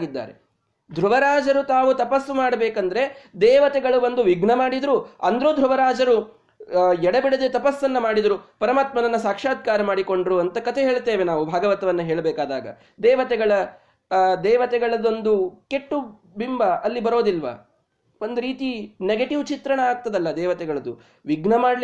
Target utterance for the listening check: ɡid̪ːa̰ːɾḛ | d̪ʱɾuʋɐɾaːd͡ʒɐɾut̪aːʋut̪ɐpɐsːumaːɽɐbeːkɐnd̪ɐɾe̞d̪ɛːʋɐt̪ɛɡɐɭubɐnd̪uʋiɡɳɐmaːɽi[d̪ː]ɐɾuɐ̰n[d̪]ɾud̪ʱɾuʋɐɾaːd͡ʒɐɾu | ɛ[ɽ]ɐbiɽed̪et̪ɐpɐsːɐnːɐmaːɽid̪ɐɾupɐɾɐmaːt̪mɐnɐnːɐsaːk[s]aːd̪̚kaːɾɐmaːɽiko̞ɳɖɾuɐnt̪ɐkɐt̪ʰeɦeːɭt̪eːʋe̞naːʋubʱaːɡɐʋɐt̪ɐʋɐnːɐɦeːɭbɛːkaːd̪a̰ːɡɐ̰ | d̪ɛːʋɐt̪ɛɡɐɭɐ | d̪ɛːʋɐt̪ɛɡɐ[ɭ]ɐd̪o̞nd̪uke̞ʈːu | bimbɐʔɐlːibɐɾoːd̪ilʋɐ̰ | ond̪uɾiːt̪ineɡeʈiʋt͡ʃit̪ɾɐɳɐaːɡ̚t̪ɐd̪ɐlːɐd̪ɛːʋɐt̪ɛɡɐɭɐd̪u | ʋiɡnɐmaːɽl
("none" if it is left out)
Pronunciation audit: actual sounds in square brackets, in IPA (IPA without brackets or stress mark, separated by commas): d̪, d̪, ɽ, ʂ, ɭ